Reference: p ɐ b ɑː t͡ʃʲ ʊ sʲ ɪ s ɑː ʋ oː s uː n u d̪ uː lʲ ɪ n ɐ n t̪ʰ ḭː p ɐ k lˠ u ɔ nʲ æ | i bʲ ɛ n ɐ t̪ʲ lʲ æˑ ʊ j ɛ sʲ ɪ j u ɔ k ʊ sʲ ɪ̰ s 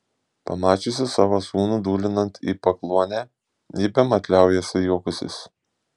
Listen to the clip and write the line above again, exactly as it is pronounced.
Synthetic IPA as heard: p ɐ m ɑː t͡ʃʲ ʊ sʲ ɪ s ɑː ʋ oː s uː n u d̪ uː lʲ ɪ n ɐ n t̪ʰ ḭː p ɐ k lˠ u ɔ nʲ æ | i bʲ ɛ m ɐ t̪ʲ lʲ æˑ ʊ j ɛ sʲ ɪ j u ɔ k ʊ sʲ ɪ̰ s